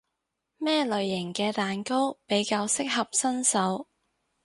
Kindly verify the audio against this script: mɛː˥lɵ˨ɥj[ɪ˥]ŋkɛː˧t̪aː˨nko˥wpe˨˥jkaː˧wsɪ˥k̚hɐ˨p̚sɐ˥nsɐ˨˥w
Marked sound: incorrect: ɪ˨˩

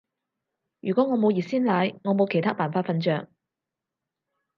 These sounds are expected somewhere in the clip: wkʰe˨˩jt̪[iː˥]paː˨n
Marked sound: incorrect: aː˥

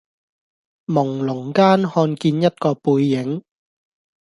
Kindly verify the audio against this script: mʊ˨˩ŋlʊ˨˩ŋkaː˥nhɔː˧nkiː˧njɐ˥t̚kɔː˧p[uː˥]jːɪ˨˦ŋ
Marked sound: incorrect: uː˧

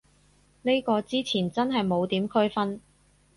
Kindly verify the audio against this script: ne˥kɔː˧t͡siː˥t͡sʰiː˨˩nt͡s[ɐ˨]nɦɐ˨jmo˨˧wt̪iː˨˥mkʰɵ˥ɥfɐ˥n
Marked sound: incorrect: ɐ˥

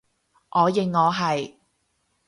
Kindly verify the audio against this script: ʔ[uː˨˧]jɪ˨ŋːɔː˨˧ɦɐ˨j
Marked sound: incorrect: ɔː˨˧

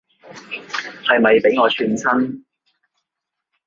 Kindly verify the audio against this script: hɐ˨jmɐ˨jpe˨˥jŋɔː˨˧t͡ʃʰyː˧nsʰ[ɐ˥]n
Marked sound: correct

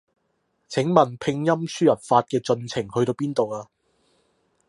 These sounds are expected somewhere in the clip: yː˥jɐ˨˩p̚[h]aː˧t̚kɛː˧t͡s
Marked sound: incorrect: f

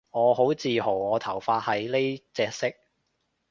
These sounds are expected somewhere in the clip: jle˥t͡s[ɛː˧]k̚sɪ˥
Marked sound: correct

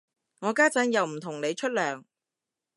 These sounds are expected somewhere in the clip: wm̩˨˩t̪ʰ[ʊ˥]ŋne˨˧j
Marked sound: incorrect: ʊ˨˩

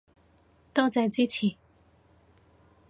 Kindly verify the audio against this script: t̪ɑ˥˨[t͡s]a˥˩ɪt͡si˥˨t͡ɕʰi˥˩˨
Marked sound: correct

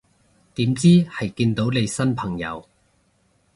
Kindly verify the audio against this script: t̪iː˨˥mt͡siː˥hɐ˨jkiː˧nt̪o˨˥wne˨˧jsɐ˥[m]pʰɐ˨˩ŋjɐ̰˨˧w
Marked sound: incorrect: n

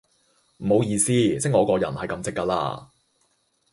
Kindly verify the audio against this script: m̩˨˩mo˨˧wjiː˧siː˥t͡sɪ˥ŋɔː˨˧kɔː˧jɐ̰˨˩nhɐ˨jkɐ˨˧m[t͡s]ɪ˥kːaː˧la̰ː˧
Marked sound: correct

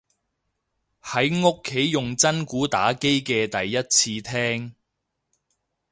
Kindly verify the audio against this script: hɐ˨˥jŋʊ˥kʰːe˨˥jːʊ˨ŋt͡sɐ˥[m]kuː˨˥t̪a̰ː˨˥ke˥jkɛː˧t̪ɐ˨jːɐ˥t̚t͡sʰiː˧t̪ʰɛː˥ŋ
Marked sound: incorrect: n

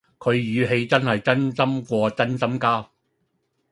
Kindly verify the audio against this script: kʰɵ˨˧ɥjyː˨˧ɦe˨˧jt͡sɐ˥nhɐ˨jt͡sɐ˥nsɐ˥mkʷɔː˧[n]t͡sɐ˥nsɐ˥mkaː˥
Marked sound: incorrect: none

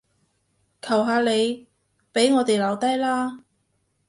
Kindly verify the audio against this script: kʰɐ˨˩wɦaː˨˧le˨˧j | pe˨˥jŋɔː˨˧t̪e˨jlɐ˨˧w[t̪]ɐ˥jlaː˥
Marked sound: correct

